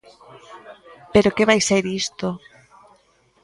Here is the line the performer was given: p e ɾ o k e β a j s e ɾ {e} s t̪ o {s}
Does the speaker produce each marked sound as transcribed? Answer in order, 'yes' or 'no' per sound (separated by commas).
no, no